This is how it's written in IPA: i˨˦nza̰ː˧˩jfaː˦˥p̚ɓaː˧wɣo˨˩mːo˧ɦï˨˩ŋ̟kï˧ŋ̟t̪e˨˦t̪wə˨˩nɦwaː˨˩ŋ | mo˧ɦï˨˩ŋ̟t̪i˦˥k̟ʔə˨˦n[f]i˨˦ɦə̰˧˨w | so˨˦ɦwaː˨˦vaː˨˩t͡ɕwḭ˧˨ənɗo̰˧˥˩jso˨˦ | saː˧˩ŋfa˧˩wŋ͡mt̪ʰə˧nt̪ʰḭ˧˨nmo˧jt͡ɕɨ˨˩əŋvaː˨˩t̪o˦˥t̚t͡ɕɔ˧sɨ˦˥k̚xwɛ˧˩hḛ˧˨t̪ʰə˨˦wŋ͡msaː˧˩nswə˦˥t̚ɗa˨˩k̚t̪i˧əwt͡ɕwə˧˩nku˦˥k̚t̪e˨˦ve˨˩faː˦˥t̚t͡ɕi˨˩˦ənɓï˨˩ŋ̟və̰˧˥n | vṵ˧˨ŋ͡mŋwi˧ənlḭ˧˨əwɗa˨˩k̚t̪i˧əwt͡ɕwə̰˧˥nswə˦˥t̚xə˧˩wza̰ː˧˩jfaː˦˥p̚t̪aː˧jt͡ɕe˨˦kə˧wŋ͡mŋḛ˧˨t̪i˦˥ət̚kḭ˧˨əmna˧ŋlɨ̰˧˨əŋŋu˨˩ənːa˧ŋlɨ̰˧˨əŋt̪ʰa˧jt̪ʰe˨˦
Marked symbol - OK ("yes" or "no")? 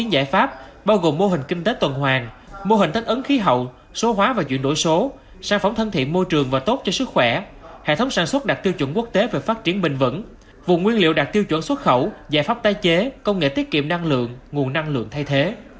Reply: no